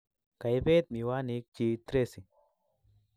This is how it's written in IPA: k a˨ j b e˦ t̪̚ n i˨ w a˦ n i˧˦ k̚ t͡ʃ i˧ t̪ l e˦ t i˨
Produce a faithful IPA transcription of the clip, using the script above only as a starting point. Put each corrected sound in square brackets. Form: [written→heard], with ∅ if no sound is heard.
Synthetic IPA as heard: k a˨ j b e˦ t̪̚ [n→m] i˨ w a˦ n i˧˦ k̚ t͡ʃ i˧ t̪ [l→ɾ] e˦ [t→s] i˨